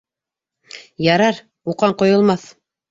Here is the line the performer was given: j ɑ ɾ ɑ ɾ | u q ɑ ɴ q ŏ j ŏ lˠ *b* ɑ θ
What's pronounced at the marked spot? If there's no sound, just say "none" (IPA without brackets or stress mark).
m